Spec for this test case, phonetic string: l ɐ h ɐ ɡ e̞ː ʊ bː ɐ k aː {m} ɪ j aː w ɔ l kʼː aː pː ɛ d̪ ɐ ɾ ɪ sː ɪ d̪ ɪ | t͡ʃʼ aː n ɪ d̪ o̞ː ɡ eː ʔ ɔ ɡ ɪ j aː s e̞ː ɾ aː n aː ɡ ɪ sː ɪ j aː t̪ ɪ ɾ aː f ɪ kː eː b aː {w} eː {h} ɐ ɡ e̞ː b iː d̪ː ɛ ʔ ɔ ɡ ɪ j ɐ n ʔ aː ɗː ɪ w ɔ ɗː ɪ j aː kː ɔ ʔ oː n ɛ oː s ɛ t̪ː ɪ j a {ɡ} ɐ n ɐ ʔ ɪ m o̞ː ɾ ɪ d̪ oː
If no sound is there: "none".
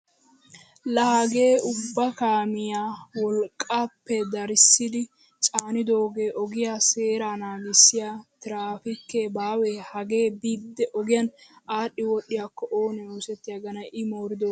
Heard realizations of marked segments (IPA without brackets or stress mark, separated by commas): m, w, h, ɡ